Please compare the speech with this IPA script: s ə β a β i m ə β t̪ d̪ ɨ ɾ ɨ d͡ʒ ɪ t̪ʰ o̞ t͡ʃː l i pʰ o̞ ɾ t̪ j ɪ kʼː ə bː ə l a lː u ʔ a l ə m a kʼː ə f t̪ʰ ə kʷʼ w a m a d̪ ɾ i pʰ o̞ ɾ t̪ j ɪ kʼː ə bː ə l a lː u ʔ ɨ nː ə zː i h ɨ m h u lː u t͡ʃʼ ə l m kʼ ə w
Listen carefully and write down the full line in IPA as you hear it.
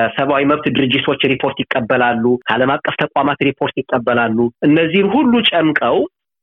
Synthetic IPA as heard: s ə β a w i m ə β t̪ d̪ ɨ ɾ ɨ d͡ʒ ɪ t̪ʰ o̞ t͡ʃː ɾ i pʰ o̞ ɾ t̪ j ɪ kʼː ə bː ə l a lː u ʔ a l ə m a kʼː ə f t̪ʰ ə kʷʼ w a m a t̪ ɾ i pʰ o̞ ɾ t̪ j ɪ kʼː ə bː ə l a lː u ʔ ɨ nː ə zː i h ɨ m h u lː u t͡ʃʼ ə m kʼ ə w